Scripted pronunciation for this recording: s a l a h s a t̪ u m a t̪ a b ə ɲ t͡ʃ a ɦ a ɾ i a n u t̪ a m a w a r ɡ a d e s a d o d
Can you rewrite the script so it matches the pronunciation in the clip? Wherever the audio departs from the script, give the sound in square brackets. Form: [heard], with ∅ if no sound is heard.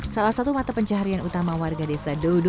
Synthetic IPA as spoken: s a l a h s a t̪ u m a t̪ a [p] ə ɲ t͡ʃ a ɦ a ɾ i a n u t̪ a m a w a r ɡ a d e s a d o d

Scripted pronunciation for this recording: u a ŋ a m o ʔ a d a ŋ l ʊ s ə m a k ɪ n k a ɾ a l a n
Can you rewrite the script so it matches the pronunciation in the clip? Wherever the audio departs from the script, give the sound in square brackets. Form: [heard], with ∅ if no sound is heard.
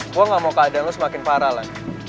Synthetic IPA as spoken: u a ŋ a m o [k] a d a [n] l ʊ s ə m a k ɪ n [p] a ɾ a l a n

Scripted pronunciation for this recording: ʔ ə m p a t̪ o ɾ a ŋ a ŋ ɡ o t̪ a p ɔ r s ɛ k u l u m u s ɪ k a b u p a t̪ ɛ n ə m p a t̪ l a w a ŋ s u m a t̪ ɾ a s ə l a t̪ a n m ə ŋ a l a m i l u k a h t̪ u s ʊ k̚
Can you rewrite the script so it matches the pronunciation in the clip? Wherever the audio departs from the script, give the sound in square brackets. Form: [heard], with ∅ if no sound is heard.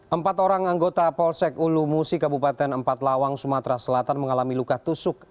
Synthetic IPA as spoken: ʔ ə m p a t̪ o ɾ a ŋ a ŋ ɡ o t̪ a p ɔ [l] s ɛ k u l u m u s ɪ k a b u p a t̪ ɛ n ə m p a t̪ l a w a ŋ s u m a t̪ ɾ a s ə l a t̪ a n m ə ŋ a l a m i l u k a h t̪ u s ʊ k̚

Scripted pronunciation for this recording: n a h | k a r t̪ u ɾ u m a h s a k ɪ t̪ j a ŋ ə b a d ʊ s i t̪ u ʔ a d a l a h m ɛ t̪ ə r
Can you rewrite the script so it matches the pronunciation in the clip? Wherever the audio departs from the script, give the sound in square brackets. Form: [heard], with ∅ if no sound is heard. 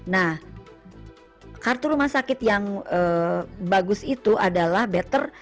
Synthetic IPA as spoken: n a h | k a r t̪ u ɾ u m a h s a k ɪ t̪ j a ŋ ə b a [ɡ] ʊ s i t̪ u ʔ a d a l a h [b] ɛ t̪ ə r

